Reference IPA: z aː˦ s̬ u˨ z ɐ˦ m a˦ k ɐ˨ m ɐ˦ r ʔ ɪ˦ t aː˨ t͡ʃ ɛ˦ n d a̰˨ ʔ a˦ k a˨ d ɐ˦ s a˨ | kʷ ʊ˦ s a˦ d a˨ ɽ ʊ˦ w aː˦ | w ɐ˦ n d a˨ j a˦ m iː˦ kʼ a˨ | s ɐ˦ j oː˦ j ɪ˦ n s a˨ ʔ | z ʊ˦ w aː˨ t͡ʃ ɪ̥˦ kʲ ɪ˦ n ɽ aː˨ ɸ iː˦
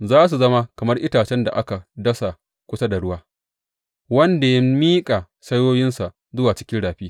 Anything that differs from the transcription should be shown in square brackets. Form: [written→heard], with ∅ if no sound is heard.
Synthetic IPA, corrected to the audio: z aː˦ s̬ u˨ z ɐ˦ m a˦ k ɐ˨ m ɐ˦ r ʔ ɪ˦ t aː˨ t͡ʃ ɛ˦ n d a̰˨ ʔ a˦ k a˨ d ɐ˦ s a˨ | kʷ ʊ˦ s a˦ d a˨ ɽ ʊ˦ w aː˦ | w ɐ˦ n d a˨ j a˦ m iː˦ kʼ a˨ | s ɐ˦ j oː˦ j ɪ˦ n s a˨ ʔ | z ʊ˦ w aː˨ t͡ʃ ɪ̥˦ kʲ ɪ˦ n ɽ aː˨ ɸ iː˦